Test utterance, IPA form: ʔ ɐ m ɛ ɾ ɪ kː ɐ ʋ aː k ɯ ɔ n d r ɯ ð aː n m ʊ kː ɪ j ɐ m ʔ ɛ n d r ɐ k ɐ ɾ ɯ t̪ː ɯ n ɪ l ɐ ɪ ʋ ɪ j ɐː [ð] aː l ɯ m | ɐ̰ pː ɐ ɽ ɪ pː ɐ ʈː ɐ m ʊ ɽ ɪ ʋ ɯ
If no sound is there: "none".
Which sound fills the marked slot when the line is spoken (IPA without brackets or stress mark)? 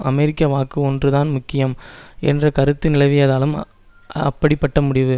ð